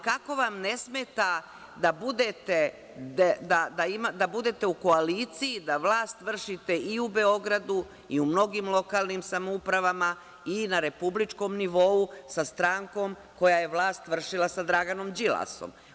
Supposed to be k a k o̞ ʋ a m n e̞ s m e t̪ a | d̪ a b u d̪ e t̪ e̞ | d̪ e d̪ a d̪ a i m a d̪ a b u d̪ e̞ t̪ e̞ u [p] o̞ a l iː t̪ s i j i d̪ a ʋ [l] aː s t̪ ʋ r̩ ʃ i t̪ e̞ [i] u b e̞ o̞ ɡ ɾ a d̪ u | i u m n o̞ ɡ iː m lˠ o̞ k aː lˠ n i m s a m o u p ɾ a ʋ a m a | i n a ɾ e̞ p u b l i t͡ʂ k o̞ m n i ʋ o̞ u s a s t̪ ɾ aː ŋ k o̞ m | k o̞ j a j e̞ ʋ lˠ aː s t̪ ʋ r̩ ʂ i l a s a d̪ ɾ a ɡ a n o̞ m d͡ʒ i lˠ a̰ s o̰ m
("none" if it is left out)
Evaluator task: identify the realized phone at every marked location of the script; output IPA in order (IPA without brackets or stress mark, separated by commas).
k, l, i